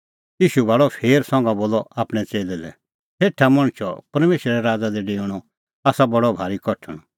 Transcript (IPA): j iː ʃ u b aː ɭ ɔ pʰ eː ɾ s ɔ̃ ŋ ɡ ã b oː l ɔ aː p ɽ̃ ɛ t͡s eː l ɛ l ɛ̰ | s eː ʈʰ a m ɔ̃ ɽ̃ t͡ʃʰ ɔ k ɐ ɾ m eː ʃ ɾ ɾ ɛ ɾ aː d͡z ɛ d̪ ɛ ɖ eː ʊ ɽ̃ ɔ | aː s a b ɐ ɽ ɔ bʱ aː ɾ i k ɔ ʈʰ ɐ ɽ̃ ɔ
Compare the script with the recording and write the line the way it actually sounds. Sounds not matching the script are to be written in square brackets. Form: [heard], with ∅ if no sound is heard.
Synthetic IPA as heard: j iː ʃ u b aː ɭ ɔ pʰ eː ɾ s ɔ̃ ŋ ɡ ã b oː l ɔ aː p ɽ̃ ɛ t͡s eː l ɛ l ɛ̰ | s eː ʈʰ a m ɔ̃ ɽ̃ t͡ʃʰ ɔ [p] ɐ ɾ m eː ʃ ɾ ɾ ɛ ɾ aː d͡z [a] d̪ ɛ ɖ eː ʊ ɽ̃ ɔ | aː s a b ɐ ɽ ɔ bʱ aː ɾ i k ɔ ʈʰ [ə] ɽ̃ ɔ